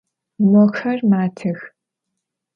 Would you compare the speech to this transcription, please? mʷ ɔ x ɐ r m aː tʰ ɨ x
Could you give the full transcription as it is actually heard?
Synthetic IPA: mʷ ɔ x ɐ r m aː tʰ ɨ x

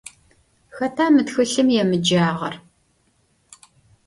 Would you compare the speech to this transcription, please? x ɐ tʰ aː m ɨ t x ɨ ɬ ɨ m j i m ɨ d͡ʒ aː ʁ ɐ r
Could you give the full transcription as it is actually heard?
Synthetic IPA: x ɐ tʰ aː m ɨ t x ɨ ɬ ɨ m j ɛ m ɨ d͡ʒ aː ʁ ɐ r

